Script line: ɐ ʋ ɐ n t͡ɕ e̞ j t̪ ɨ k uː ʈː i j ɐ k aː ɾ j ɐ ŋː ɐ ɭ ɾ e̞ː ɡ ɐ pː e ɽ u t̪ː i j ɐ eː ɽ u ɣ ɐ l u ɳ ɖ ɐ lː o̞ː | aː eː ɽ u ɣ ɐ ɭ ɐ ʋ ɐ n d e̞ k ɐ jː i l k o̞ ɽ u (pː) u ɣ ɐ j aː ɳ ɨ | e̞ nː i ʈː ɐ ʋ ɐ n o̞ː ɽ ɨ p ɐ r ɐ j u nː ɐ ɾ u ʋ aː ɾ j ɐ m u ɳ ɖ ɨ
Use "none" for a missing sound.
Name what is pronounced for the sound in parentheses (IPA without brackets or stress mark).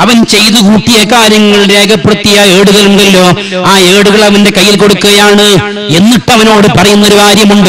kː